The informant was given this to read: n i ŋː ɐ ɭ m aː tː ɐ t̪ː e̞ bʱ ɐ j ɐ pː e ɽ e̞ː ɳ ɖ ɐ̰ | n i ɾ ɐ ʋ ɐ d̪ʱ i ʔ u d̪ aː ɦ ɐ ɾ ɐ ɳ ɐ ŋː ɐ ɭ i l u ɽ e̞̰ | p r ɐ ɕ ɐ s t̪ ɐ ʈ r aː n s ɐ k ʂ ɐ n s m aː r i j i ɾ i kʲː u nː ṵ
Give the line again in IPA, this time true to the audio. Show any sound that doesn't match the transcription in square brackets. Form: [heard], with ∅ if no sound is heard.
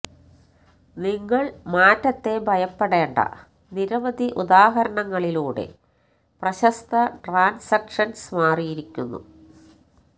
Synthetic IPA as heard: n i ŋː ɐ ɭ m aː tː ɐ t̪ː e̞ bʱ ɐ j ɐ pː e ɽ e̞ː ɳ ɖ ɐ̰ | n i ɾ ɐ ʋ ɐ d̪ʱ i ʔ u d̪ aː ɦ ɐ ɾ ɐ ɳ ɐ ŋː ɐ ɭ i l [uː] ɽ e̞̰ | p r ɐ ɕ ɐ s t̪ ɐ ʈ r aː n s ɐ k ʂ ɐ n s m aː r i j i ɾ i kʲː u nː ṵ